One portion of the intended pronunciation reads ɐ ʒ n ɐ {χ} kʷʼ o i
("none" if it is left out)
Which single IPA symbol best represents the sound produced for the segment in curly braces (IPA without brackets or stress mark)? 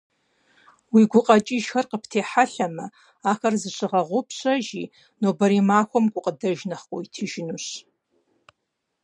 χ